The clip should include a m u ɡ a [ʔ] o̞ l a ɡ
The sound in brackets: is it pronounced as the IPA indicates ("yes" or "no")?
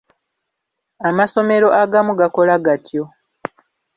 no